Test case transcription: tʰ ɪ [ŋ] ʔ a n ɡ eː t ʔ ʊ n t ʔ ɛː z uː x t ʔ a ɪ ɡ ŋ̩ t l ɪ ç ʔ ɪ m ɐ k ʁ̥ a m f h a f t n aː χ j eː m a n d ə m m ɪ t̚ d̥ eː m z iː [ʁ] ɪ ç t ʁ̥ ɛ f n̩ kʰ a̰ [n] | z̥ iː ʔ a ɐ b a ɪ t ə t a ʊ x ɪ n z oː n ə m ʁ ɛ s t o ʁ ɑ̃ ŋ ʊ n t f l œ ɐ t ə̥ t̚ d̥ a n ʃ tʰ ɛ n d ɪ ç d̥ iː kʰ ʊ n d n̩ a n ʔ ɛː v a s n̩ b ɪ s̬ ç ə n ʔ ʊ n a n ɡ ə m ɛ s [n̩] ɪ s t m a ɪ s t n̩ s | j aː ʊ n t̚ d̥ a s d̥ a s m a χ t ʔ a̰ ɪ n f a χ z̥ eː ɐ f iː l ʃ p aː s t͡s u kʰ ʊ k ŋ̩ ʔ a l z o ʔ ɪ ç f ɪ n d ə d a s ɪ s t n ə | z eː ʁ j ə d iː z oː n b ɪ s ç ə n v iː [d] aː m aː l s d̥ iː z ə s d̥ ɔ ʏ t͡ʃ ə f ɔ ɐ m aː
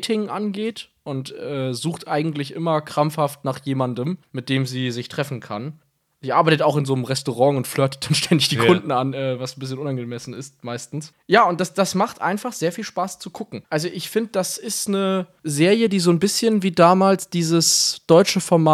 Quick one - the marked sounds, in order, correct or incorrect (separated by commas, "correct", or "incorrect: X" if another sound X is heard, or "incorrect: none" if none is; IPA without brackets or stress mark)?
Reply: correct, incorrect: z, correct, correct, correct